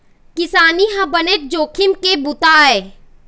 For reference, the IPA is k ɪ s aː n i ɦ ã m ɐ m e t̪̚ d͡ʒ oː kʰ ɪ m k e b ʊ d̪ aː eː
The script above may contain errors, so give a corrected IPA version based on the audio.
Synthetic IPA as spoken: k ɪ s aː n i ɦ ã b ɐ n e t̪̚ d͡ʒ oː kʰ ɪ m k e b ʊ t̪ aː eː